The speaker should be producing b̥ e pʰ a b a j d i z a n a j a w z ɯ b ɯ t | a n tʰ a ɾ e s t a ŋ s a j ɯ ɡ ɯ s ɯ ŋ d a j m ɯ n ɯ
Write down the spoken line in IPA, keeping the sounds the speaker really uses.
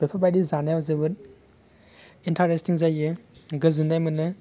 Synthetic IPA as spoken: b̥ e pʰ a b a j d i z a n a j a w z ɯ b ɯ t | i n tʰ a ɾ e s t i ŋ z a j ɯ ɡ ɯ z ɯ n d a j m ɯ n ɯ